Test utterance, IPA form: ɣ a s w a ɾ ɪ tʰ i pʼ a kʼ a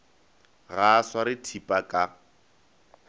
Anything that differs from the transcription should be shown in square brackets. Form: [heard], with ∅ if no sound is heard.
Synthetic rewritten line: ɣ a s w a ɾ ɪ tʰ i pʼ a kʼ a

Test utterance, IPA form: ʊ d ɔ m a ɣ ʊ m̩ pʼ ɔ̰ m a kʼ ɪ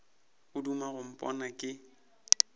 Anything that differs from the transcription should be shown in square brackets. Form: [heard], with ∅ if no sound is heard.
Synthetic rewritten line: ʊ d [u] m a ɣ ʊ m̩ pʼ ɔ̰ [n] a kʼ ɪ

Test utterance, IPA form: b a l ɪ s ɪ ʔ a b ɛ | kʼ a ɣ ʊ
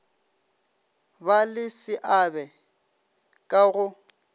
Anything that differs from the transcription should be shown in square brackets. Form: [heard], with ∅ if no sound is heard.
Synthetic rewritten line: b a l ɪ s ɪ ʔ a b ɛ | kʼ a ɣ ʊ

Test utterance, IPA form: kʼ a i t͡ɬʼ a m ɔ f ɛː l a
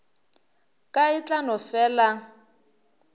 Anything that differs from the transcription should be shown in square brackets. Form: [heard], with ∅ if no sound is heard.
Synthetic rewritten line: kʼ a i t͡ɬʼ a [n] ɔ f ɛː l a

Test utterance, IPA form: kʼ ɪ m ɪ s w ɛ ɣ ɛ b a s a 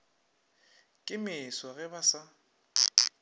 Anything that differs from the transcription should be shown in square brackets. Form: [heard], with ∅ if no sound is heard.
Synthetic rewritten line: kʼ ɪ m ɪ s w [a] ɣ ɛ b a s a

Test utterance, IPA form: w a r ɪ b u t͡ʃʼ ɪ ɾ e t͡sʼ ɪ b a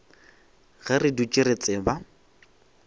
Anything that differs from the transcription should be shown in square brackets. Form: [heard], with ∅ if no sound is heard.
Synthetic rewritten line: [ɣ] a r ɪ [d] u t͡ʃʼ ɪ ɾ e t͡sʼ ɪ b a

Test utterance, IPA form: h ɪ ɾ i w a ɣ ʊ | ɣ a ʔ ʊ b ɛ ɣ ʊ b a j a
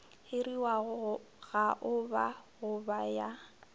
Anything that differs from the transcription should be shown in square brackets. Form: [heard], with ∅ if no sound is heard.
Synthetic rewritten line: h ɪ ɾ i w a ɣ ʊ | ɣ a ʔ ʊ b [a] ɣ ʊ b a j a

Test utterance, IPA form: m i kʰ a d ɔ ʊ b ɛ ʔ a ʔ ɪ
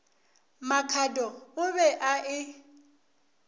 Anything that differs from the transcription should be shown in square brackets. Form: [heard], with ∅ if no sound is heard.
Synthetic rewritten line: m [a] kʰ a d ɔ ʊ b ɛ ʔ a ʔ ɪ

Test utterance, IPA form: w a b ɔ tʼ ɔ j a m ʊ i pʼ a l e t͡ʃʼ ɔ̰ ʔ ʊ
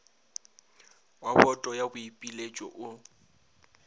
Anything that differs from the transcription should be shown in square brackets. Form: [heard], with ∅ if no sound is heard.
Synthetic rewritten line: w a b ɔ tʼ ɔ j a [b] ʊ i pʼ [i] l e t͡ʃʼ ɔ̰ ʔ ʊ

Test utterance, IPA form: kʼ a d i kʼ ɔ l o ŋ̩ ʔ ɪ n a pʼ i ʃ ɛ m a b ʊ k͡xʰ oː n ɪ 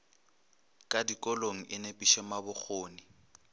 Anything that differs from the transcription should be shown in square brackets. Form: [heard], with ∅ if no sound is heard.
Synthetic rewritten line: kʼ a d i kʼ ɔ l o ŋ̩ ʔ ɪ n [e] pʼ i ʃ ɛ m a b ʊ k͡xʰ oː n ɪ

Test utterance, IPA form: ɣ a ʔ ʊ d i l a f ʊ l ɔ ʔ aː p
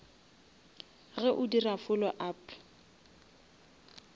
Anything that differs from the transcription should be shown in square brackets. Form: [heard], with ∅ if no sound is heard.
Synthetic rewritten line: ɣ [ɛ] ʔ ʊ d i [r] a f ʊ l ɔ ʔ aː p

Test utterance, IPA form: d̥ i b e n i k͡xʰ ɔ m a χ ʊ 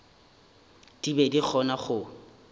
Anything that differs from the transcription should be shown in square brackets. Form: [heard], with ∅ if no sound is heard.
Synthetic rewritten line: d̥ i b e [d] i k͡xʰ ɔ [n] a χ ʊ

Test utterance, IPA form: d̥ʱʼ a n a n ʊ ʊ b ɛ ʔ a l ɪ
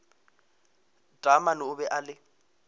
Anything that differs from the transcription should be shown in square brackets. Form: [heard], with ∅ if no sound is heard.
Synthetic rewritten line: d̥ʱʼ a [m] a n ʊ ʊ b ɛ ʔ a l ɪ

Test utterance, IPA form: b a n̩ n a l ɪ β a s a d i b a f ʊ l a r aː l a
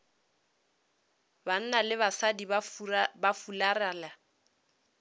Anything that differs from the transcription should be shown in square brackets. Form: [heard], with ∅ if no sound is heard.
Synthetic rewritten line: b a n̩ n a l ɪ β a s a d i b a f [u] l a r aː l a

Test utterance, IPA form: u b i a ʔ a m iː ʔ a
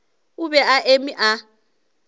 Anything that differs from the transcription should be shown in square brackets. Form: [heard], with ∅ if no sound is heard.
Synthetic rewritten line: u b [ɛ] a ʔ [e] m [i] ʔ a

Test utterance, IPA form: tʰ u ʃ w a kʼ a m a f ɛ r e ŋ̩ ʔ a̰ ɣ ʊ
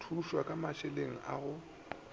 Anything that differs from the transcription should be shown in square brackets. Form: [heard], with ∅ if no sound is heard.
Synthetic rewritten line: tʰ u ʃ w a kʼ a m a [ʃ] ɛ [l] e ŋ̩ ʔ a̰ ɣ ʊ

